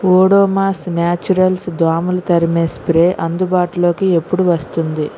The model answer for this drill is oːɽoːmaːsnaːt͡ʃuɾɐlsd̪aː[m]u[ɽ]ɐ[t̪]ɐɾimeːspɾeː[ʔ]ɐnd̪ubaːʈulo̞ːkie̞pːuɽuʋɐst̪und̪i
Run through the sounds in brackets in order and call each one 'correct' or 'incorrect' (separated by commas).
correct, incorrect, correct, correct